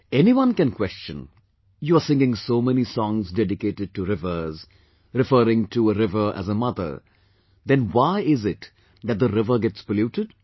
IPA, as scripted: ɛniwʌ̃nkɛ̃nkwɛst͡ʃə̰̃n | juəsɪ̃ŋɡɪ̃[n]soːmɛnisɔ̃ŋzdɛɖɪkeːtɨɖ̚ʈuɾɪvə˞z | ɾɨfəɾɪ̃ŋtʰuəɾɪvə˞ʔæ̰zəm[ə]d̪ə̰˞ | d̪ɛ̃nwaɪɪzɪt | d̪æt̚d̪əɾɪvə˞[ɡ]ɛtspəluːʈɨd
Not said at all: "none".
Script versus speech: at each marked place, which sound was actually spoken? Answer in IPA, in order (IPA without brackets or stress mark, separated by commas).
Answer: ŋ, ʌ, ɡ